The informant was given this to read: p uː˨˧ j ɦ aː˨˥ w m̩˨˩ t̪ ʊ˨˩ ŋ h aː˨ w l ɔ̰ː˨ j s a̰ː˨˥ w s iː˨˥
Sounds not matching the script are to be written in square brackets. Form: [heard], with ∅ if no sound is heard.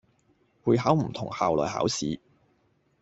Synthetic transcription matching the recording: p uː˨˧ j ɦ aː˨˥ w m̩˨˩ [t̪ʰ] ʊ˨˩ ŋ h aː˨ w l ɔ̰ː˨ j [h] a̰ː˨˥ w s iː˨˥